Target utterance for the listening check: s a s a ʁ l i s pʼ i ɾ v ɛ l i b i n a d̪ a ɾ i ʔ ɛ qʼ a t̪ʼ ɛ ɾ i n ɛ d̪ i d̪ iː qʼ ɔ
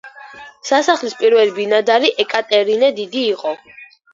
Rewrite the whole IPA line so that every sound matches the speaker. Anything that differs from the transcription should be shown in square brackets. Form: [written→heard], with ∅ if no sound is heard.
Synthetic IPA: s a s a [ʁ→χ] l i s pʼ i ɾ v ɛ l i b i n a d̪ a ɾ i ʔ ɛ [qʼ→kʼ] a t̪ʼ ɛ ɾ i n ɛ d̪ i d̪ iː qʼ ɔ